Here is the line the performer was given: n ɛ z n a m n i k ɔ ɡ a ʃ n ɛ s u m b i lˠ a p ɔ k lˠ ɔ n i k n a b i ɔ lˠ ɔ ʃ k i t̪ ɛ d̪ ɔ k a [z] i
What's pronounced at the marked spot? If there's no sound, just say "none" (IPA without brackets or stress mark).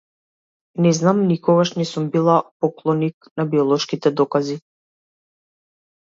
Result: z